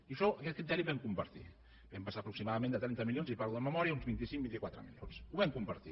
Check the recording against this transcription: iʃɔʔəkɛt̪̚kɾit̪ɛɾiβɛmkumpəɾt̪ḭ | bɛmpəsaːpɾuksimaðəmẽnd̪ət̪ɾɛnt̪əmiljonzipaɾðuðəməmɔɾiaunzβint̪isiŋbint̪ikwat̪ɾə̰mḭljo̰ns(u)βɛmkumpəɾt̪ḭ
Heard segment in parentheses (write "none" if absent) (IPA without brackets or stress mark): u